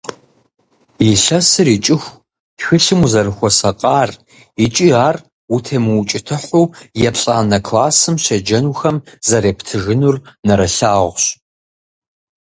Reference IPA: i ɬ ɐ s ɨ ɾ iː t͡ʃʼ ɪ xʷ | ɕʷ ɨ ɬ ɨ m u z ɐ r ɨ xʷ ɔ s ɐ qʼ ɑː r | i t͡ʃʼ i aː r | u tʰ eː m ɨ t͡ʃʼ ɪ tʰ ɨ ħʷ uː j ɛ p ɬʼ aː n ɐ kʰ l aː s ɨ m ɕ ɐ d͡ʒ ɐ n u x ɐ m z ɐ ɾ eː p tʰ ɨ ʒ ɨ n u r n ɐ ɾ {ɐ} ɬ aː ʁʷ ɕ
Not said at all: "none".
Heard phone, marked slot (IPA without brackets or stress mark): ɐ